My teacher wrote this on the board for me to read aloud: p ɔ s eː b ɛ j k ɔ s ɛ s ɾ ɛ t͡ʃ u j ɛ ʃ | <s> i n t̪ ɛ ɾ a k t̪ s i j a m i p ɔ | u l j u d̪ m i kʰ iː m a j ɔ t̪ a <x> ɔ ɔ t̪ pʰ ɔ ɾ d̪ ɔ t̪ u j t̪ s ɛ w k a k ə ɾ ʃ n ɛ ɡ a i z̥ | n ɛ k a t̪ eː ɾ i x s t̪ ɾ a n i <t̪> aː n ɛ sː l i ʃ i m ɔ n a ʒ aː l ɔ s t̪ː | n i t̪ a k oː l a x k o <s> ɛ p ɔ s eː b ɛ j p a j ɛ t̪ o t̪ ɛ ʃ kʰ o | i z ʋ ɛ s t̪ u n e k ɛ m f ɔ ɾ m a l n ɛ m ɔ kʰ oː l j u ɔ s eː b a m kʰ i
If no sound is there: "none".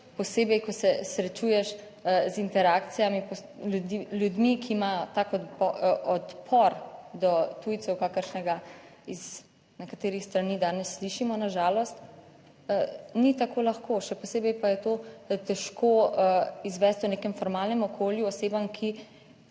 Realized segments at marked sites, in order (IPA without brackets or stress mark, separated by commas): z, k, d̪, ʃ